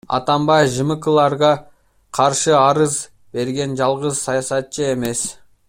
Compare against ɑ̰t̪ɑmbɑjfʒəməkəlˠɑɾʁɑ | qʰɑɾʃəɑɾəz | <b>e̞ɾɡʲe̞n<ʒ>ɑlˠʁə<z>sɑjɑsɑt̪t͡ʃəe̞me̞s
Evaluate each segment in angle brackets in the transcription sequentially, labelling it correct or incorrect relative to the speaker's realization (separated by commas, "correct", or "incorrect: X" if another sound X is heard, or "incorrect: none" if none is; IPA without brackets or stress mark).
correct, correct, correct